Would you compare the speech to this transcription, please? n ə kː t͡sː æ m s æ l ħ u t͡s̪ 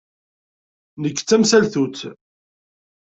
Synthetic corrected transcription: n ə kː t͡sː æ m s æ l θ u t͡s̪